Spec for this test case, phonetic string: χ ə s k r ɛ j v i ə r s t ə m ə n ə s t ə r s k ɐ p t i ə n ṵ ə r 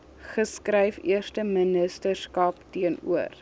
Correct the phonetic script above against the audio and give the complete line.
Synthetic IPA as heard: χ ə s k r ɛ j f i ə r s t ə m ə n ə s t ə r s k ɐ p t i ə n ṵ ə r